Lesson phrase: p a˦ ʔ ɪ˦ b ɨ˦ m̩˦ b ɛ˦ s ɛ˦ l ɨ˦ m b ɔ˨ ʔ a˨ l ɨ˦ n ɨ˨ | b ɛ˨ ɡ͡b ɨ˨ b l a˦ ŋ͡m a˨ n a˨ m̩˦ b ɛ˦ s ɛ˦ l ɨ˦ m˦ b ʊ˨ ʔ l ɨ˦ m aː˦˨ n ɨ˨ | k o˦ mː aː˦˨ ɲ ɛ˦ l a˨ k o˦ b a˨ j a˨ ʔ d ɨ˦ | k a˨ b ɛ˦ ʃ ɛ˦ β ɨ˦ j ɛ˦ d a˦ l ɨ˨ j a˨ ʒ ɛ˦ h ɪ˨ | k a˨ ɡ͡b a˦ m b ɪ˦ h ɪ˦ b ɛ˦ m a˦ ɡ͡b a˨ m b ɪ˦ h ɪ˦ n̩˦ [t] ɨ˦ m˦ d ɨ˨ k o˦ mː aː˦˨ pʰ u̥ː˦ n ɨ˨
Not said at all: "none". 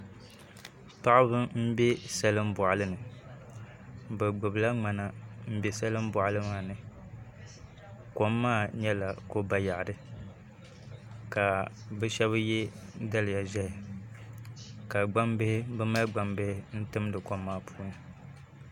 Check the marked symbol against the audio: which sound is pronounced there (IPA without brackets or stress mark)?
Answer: t